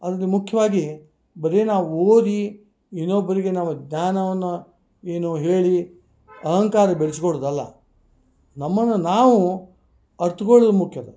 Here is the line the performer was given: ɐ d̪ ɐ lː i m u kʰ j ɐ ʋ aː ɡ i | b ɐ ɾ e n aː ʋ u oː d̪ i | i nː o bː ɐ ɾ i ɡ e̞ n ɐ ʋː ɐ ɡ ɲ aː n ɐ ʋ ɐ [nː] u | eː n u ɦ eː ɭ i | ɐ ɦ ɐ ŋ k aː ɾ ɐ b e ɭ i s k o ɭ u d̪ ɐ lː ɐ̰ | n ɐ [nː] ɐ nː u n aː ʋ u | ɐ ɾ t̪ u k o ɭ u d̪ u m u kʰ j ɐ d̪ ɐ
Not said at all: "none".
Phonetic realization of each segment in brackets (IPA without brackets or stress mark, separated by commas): nː, mː